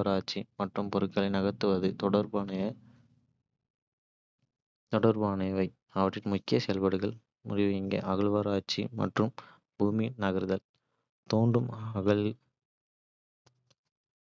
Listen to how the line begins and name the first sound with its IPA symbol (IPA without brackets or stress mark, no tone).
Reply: ɾ